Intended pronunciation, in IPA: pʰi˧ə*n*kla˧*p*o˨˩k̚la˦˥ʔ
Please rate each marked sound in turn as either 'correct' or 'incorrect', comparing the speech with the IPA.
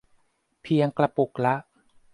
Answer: incorrect: ŋ, correct

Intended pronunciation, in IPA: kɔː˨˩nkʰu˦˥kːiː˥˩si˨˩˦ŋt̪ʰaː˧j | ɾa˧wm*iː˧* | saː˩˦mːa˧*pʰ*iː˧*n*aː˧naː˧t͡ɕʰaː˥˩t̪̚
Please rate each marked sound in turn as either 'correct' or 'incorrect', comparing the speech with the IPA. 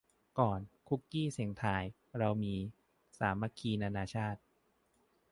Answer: correct, incorrect: kʰ, correct

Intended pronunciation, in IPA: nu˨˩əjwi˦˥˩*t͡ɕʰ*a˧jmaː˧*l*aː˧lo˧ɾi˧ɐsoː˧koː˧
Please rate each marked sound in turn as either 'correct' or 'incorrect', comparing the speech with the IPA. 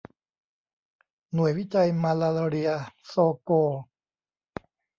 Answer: incorrect: t͡ɕ, correct

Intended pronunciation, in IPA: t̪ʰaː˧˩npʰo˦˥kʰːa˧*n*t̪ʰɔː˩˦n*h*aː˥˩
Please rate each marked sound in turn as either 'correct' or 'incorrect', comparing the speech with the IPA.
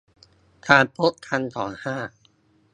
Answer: correct, correct

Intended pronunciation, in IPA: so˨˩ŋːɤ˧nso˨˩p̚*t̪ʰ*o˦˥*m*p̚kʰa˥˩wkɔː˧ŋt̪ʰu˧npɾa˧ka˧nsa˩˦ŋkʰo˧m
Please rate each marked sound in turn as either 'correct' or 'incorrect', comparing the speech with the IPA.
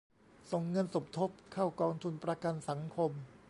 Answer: correct, incorrect: none

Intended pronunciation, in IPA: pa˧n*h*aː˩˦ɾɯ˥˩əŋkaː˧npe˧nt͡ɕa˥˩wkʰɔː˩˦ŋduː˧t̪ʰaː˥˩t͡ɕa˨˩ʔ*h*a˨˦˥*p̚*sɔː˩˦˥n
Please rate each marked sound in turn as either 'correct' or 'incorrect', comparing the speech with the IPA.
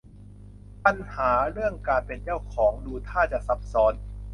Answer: correct, incorrect: s, correct

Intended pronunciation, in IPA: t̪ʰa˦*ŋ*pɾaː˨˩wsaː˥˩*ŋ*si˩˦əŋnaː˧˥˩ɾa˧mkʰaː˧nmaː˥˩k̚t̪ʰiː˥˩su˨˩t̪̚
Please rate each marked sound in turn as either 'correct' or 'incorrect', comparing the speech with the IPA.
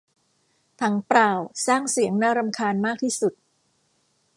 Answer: correct, correct

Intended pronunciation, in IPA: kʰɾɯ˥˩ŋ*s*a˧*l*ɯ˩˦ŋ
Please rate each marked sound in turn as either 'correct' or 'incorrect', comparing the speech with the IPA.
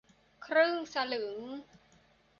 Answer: correct, correct

